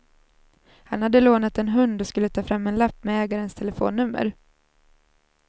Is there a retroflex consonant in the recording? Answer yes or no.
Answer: no